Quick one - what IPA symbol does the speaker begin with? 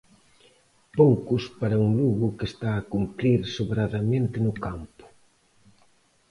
p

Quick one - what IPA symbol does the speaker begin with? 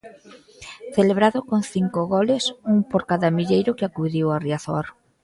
θ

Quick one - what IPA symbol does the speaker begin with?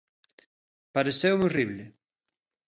p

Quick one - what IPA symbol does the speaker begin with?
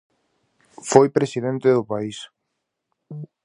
f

